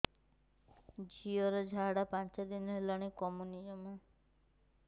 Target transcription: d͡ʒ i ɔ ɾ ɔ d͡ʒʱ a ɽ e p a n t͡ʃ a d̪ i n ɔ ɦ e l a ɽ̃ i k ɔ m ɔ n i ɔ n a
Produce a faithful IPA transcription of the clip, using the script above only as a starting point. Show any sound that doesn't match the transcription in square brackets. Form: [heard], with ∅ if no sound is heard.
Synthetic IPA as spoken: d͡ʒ i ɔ ɾ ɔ d͡ʒʱ a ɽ [a] p a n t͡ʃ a d̪ i n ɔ ɦ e l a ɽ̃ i k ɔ m [u] n i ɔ [m] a